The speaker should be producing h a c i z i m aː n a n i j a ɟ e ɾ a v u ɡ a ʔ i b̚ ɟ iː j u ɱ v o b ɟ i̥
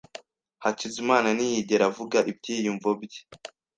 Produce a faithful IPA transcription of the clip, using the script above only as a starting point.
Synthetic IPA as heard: h a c i z i m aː n a n i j i ɟ e ɾ a v u ɡ a ʔ i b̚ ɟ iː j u ɱ v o b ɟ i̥